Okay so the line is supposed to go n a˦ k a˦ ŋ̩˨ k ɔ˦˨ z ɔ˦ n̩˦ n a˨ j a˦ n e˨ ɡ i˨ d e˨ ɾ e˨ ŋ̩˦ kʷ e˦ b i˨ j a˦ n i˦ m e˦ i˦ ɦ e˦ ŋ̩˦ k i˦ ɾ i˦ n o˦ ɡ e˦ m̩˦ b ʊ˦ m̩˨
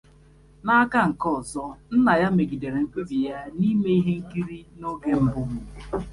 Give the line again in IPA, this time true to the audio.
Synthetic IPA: n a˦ k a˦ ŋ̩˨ k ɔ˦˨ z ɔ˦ n̩˦ n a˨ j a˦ m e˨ ɡ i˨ d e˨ ɾ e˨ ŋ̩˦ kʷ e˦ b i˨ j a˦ n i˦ m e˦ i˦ ɦ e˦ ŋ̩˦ k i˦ ɾ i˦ n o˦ ɡ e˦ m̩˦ b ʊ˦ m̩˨